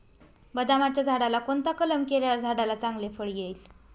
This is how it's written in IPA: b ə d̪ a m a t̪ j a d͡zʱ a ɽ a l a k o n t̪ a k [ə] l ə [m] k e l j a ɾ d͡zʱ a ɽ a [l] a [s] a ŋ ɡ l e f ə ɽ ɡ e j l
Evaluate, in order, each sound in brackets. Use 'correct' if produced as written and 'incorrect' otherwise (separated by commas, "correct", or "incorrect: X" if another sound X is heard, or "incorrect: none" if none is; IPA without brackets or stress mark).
correct, correct, correct, incorrect: t͡s